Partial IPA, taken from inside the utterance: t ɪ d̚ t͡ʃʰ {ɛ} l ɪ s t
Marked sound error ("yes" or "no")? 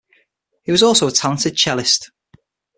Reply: no